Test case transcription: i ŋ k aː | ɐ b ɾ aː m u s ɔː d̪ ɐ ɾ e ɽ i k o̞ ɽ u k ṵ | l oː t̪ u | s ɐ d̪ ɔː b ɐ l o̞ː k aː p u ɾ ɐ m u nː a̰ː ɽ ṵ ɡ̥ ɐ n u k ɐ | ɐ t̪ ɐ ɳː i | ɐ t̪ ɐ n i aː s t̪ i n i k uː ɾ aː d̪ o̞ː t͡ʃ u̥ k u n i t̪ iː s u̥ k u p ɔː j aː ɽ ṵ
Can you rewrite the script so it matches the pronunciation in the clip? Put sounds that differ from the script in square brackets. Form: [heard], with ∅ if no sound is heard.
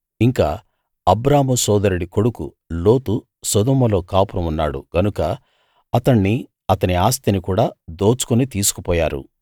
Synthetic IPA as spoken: i ŋ k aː | ɐ b ɾ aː m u s ɔː d̪ ɐ ɾ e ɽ i k o̞ ɽ u k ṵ | l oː t̪ u | s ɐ d̪ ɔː [m] ɐ l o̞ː k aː p u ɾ ɐ m u nː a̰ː ɽ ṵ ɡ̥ ɐ n u k ɐ | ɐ t̪ ɐ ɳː i | ɐ t̪ ɐ n i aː s t̪ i n i k uː [ɽ] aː d̪ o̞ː t͡ʃ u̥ k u n i t̪ iː s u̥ k u p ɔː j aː [ɾ] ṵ